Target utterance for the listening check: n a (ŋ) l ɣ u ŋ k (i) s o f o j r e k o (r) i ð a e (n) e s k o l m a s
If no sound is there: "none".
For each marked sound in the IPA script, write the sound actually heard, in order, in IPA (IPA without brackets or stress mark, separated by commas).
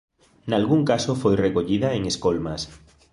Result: none, a, ʎ, ŋ